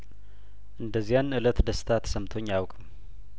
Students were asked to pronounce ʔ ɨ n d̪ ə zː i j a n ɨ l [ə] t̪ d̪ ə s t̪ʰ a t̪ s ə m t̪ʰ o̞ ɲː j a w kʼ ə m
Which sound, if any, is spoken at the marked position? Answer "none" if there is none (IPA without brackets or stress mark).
ə